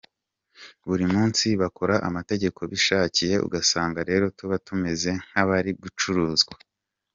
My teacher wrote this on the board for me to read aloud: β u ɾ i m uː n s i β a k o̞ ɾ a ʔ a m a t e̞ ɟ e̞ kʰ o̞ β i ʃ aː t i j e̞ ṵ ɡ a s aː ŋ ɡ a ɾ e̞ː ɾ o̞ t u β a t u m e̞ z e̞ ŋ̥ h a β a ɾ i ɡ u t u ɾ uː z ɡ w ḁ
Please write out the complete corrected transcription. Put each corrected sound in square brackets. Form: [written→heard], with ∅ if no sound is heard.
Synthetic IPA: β u ɾ i m uː n s i β a k o̞ ɾ a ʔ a m a t e̞ ɟ e̞ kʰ o̞ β i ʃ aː [t→c] i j e̞ ṵ ɡ a s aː ŋ ɡ a ɾ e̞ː ɾ o̞ t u β a t u m e̞ z e̞ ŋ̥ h a β a ɾ i ɡ u [t→t͡ʃ] u ɾ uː z ɡ w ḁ